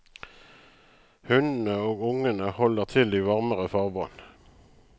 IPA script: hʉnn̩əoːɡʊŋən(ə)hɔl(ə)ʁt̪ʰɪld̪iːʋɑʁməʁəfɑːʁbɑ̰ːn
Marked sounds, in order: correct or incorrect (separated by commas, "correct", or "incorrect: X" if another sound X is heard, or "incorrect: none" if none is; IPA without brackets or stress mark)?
correct, correct